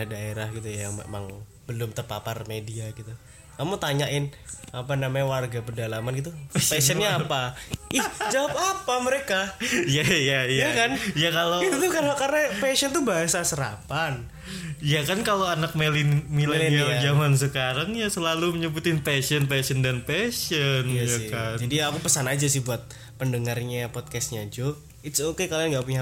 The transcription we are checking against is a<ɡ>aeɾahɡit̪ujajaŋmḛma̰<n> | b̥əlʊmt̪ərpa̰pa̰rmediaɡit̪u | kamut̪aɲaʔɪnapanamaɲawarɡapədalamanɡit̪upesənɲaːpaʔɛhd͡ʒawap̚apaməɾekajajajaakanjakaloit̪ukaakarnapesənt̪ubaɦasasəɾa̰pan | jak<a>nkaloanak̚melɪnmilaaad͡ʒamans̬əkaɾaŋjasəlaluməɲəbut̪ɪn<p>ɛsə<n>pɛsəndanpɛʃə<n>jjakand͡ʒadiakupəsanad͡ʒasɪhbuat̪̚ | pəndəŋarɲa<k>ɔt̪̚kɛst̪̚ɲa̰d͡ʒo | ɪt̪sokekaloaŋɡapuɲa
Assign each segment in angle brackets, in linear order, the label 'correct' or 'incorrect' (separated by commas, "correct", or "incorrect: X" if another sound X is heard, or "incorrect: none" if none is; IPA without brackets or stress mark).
incorrect: d, incorrect: ŋ, correct, correct, correct, correct, incorrect: p